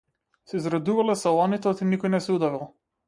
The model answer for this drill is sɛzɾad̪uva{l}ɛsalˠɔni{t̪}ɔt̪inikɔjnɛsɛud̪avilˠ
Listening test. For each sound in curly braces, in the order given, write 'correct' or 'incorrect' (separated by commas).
correct, correct